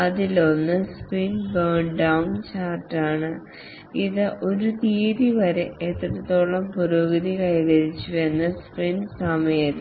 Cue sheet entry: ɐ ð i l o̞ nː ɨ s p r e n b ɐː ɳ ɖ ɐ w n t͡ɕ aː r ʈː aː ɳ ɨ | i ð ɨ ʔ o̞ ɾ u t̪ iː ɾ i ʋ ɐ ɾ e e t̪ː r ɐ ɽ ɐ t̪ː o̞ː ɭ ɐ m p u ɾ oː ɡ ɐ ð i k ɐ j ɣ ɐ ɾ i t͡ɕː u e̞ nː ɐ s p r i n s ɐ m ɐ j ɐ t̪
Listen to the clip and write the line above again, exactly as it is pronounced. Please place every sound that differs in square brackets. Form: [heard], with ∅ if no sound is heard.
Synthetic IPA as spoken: ɐ ð i l o̞ nː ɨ s p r [i] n b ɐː ɳ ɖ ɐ w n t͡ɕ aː r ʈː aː ɳ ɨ | i ð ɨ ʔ o̞ ɾ u t̪ iː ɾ i ʋ ɐ ɾ e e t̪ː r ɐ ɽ ɐ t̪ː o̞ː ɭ ɐ m p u ɾ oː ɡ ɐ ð i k ɐ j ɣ ɐ ɾ i t͡ɕː u e̞ nː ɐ s p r i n s ɐ m ɐ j ɐ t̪